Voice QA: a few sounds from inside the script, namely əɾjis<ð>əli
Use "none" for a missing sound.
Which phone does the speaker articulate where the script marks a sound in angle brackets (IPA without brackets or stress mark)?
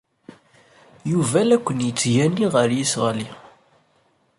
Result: ʁ